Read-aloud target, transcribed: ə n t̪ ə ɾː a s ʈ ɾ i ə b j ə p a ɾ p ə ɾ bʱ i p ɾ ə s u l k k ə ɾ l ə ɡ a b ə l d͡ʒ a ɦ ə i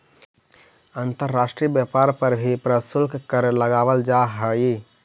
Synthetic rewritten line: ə n t̪ ə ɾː a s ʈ ɾ i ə b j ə p a ɾ p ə ɾ bʱ i p ɾ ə s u l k k ə ɾ l ə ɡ a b ə l d͡ʒ a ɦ ə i